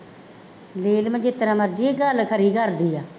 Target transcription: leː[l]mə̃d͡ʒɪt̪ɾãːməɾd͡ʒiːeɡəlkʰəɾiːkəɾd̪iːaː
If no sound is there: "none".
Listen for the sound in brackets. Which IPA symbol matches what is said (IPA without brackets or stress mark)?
l